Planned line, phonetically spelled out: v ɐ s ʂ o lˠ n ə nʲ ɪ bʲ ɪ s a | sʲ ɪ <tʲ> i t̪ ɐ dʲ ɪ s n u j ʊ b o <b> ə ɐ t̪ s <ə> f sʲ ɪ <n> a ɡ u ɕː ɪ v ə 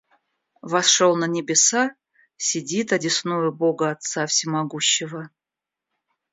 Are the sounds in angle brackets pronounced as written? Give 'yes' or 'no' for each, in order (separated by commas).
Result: no, no, no, no